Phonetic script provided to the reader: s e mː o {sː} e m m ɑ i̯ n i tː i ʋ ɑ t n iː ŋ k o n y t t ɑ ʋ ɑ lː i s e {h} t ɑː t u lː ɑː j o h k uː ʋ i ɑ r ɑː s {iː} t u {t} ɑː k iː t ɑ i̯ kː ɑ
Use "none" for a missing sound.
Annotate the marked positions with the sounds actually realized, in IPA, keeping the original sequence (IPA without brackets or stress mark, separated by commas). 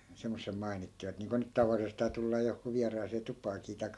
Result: sː, s, eː, p